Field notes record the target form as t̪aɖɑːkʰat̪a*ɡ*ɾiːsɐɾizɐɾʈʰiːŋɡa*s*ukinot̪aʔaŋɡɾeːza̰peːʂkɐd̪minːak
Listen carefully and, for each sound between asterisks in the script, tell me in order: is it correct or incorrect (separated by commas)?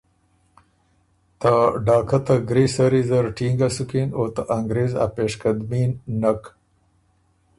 correct, correct